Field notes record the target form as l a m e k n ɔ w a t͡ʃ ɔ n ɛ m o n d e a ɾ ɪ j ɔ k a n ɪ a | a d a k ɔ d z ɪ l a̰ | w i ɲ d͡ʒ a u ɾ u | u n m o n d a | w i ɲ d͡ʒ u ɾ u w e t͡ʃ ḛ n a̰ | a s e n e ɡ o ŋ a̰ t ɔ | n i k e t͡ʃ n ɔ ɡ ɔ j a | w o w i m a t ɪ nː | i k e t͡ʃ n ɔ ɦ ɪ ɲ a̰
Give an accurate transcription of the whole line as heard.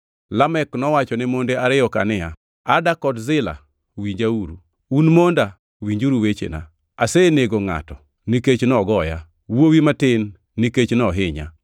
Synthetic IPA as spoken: l a m ɛ k n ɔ w a t͡ʃ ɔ n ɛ m o n d e a ɾ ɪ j ɔ k a n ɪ a | a d a k ɔ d z ɪ l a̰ | w i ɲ d͡ʒ a u ɾ u | u n m o n d a | w i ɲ d͡ʒ u ɾ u w e t͡ʃ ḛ n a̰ | a s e n e ɡ o ŋ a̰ t ɔ | n i k e t͡ʃ n ɔ ɡ ɔ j a | w o w i m a t ɪ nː | i k e t͡ʃ n ɔ ɦ ɪ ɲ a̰

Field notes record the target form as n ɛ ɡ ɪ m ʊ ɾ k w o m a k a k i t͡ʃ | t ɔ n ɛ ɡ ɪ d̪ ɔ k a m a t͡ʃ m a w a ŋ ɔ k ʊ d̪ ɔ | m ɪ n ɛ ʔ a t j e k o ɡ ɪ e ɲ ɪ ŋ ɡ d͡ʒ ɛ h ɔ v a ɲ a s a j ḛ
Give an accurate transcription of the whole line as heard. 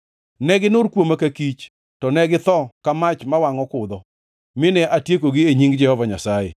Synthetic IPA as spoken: n ɛ ɡ ɪ n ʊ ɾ k w o m a k a k i t͡ʃ | t ɔ n ɛ ɡ ɪ t̪ ɔ k a m a t͡ʃ m a w a ŋ ɔ k ʊ d̪ ɔ | m ɪ n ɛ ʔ a t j e k o ɡ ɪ e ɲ i ŋ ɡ d͡ʒ ɛ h ɔ v a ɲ a s a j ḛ

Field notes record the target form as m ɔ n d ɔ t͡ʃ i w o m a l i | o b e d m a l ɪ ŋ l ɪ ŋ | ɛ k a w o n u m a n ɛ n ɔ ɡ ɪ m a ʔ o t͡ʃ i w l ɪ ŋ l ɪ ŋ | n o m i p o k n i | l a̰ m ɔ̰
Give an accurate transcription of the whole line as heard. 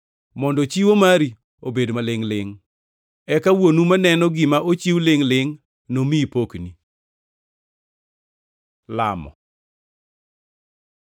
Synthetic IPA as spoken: m ɔ n d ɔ t͡ʃ i w o m a ɾ i | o b e d m a l ɪ ŋ l ɪ ŋ | ɛ k a w o n u m a n ɛ n ɔ ɡ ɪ m a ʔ o t͡ʃ i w l ɪ ŋ l ɪ ŋ | n o m i p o k n i | l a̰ m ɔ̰

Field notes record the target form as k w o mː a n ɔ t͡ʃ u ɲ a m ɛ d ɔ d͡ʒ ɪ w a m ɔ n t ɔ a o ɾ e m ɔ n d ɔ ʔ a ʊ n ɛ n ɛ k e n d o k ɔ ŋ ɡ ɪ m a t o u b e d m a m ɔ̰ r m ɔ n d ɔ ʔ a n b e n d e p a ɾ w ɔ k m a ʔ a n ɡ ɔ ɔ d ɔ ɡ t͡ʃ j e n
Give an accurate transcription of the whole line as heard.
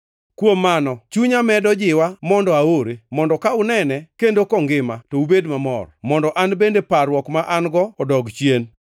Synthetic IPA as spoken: k w o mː a n ɔ t͡ʃ u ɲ a m ɛ d ɔ d͡ʒ ɪ w a m ɔ n d ɔ a o ɾ e m ɔ n d ɔ k a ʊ n ɛ n ɛ k e n d o k ɔ ŋ ɡ ɪ m a t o u b e d m a m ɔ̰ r m ɔ n d ɔ ʔ a n b e n d e p a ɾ w ɔ k m a ʔ a n ɡ ɔ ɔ d ɔ ɡ t͡ʃ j e n

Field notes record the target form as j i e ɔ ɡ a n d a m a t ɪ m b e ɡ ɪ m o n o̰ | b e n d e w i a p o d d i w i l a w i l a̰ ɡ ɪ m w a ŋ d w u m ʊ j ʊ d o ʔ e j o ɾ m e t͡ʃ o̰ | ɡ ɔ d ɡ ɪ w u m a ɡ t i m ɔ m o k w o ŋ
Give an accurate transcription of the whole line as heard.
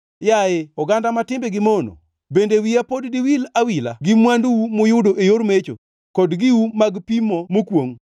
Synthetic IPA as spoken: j a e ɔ ɡ a n d a m a t ɪ m b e ɡ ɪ m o n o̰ | b e n d e w i a p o d d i w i l a w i l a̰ ɡ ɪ m w a n d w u m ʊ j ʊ d o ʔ e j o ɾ m e t͡ʃ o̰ | k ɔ d ɡ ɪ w u m a ɡ p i m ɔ m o k w o ŋ

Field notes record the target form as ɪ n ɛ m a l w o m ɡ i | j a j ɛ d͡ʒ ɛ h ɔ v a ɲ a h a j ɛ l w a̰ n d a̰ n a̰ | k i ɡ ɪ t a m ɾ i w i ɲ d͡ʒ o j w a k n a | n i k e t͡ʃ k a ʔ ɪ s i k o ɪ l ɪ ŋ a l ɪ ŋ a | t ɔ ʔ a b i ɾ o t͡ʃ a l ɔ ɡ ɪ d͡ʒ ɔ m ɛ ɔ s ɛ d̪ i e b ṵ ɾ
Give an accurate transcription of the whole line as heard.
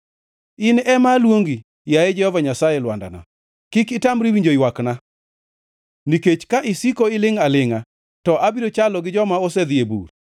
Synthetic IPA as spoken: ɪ n ɛ m a l w o ŋ ɡ i | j a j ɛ d͡ʒ ɛ h ɔ v a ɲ a s a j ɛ l w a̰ n d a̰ n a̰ | k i k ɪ t a m ɾ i w i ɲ d͡ʒ o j w a k n a | n i k e t͡ʃ k a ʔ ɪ s i k o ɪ l ɪ ŋ a l ɪ ŋ a | t ɔ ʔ a b i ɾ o t͡ʃ a l ɔ ɡ ɪ d͡ʒ ɔ m a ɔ s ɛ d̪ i e b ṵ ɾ

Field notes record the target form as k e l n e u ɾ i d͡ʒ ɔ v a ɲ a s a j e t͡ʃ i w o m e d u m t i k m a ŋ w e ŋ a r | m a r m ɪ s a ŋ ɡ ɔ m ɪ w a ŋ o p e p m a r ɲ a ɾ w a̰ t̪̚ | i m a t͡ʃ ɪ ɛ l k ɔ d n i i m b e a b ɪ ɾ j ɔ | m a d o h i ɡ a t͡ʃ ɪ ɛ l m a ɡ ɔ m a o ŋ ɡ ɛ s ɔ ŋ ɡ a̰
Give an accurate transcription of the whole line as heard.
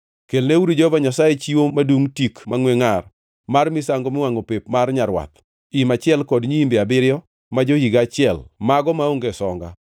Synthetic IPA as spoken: k e l n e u ɾ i d͡ʒ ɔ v a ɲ a s a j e t͡ʃ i w o m a d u ŋ t i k m a ŋ w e ŋ a r | m a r m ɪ s a ŋ ɡ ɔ m ɪ w a ŋ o p e p m a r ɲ a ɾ w a̰ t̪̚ | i m a t͡ʃ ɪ ɛ l k ɔ d ɲ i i m b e a b ɪ ɾ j ɔ | m a d͡ʒ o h i ɡ a t͡ʃ ɪ ɛ l m a ɡ ɔ m a o ŋ ɡ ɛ s ɔ ŋ ɡ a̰

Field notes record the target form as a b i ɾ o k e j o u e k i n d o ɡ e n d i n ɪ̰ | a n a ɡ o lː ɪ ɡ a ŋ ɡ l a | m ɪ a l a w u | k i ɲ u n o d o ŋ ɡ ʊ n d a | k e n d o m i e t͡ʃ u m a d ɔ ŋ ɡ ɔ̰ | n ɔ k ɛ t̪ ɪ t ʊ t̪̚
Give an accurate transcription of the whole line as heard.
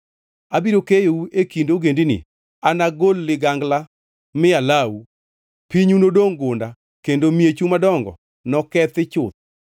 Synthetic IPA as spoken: a b i ɾ o k e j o u e k i n d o ɡ e n d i n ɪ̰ | a n a ɡ o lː ɪ ɡ a ŋ ɡ l a | m ɪ a l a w u | p i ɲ u n o d o ŋ ɡ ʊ n d a | k e n d o m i e t͡ʃ u m a d ɔ ŋ ɡ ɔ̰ | n ɔ k ɛ t̪ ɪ t͡ʃ ʊ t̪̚

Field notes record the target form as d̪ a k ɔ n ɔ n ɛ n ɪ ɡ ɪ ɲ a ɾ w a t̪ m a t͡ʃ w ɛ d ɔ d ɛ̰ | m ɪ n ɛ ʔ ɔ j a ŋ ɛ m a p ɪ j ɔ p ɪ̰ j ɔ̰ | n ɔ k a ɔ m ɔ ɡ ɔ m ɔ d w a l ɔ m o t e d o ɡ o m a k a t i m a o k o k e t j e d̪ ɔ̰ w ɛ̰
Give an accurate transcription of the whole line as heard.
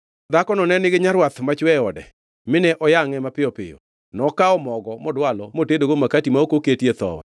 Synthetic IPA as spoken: d̪ a k ɔ n ɔ n ɛ n ɪ ɡ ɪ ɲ a ɾ w a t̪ m a t͡ʃ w ɛ ɔ d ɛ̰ | m ɪ n ɛ ʔ ɔ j a ŋ ɛ m a p ɪ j ɔ p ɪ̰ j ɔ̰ | n ɔ k a ɔ m ɔ ɡ ɔ m ɔ d w a l ɔ m o t e d o ɡ o m a k a t i m a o k o k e t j e t̪ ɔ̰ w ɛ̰

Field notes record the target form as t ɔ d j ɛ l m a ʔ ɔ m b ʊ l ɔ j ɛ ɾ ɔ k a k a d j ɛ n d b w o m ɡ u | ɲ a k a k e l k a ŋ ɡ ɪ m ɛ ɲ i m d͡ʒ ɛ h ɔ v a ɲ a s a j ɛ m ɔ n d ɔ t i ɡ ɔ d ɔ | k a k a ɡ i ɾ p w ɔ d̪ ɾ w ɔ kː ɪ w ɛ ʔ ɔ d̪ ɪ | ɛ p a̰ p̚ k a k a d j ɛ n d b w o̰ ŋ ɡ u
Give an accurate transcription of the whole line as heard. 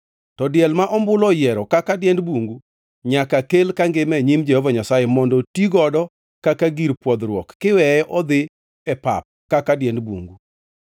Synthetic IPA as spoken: t ɔ d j ɛ l m a ʔ ɔ m b ʊ l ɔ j ɛ ɾ ɔ k a k a d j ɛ n d b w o ŋ ɡ u | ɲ a k a k e l k a ŋ ɡ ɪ m ɛ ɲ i m d͡ʒ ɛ h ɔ v a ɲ a s a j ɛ m ɔ n d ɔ t i ɡ ɔ d ɔ | k a k a ɡ i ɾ p w ɔ d̪ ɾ w ɔ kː ɪ w ɛ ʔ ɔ d̪ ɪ | ɛ p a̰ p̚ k a k a d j ɛ n d b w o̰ ŋ ɡ u

